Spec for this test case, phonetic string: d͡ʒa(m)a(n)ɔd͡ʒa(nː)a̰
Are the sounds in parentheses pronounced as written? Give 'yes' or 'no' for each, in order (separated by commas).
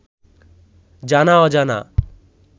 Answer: no, no, no